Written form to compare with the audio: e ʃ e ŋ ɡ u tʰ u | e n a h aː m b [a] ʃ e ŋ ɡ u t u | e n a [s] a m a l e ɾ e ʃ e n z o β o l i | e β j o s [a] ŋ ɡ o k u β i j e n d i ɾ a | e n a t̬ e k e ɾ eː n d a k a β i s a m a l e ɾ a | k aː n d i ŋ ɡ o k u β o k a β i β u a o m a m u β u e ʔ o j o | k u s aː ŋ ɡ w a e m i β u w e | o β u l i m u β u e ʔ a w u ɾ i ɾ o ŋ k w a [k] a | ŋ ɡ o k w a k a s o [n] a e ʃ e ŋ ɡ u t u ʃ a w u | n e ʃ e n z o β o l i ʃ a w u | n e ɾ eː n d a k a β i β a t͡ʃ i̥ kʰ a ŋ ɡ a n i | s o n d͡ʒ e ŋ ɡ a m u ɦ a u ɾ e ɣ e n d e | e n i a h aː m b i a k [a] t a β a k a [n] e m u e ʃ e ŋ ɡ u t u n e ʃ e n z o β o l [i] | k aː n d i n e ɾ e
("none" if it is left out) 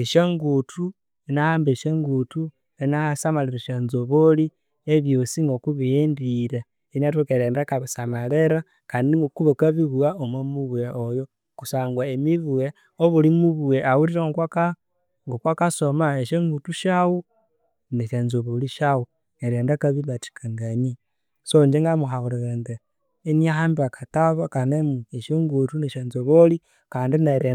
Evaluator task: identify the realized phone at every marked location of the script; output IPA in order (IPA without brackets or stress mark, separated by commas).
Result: e, s, i, k, m, a, n, i